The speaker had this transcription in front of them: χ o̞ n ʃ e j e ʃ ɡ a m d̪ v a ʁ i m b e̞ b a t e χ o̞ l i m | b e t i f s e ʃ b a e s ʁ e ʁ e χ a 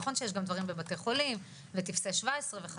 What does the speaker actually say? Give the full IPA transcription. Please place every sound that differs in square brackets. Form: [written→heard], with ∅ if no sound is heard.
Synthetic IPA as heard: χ o̞ n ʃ e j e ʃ ɡ a m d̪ v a ʁ i m b e̞ b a t e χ o̞ l i m | [b→v] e t i f s e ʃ [b→v] a e s ʁ e [ʁ→v] e χ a